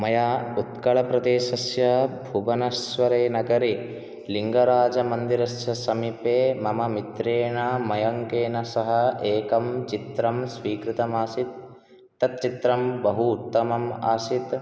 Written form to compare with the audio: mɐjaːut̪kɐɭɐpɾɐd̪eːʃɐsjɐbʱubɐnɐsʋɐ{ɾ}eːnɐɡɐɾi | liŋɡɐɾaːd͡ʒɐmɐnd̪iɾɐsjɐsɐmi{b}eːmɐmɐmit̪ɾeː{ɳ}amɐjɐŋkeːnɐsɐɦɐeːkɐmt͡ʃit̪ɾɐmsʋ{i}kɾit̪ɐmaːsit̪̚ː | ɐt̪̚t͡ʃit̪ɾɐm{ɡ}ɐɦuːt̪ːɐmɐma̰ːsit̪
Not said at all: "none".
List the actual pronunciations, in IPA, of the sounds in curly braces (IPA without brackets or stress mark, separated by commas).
ɾ, p, ɳ, iː, b